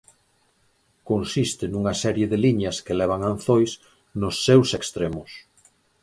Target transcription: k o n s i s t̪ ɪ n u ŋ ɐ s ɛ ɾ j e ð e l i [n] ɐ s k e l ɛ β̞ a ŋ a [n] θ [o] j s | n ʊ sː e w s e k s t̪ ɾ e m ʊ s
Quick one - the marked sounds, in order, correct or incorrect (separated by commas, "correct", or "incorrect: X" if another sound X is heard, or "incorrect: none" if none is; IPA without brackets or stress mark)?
incorrect: ɲ, correct, correct